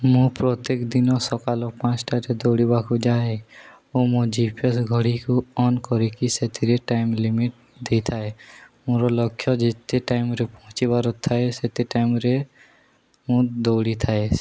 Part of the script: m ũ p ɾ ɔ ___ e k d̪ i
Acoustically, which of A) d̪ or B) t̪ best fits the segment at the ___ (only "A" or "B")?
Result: B